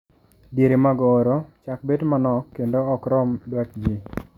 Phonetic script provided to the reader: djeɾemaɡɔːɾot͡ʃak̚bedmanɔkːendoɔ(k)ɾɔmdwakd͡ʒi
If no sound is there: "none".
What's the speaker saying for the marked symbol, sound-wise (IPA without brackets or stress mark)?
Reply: k